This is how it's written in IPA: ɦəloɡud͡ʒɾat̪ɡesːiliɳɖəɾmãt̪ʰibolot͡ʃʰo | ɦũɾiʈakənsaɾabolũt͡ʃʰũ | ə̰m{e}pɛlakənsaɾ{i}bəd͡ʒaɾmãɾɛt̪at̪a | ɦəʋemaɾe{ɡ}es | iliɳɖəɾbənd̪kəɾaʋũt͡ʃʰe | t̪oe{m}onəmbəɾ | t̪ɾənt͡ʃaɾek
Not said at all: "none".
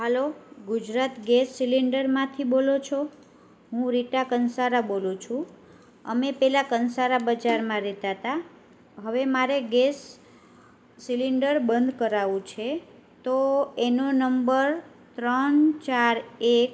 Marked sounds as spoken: e, a, ɡ, n

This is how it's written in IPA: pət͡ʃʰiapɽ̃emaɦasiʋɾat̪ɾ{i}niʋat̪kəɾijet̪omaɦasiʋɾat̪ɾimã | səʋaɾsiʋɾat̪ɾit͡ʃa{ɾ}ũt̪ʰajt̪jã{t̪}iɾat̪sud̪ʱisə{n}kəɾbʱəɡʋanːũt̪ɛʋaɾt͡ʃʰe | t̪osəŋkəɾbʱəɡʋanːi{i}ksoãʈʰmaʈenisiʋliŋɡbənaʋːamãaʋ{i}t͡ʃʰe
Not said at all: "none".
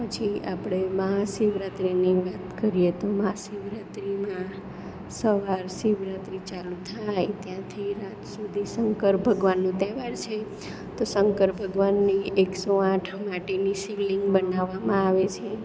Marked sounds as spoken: i, l, t̪ʰ, ŋ, e, e

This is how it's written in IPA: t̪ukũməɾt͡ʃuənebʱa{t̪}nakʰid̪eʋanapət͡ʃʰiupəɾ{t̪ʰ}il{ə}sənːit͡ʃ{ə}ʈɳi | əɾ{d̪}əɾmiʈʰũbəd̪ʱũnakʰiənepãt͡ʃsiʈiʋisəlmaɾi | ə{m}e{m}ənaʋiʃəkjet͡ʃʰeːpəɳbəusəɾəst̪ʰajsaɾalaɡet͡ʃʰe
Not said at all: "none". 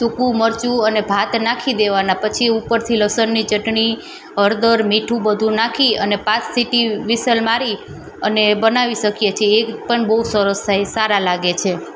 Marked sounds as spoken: t̪, t̪ʰ, ə, ə, d̪, n, b

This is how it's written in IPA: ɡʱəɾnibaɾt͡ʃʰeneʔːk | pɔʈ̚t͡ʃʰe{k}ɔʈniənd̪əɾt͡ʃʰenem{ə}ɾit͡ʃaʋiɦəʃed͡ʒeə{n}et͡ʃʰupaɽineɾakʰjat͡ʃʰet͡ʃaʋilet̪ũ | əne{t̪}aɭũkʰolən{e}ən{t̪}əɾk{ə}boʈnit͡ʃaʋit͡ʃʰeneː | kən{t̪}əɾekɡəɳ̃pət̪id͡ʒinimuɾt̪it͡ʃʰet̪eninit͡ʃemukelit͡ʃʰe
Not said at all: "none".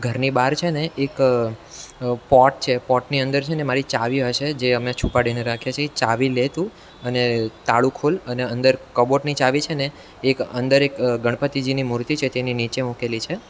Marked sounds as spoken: p, a, m, t̪, e, d̪, ə, d̪

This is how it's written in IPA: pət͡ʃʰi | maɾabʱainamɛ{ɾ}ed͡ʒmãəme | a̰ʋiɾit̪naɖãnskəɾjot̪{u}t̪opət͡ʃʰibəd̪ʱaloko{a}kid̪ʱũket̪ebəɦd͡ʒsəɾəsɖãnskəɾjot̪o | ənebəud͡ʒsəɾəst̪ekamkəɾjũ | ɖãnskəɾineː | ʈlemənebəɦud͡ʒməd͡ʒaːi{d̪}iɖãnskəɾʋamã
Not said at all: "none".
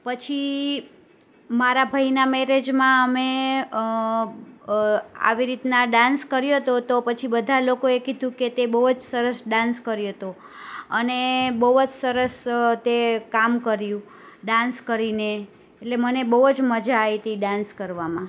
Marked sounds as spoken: ɾ, o, e, t̪

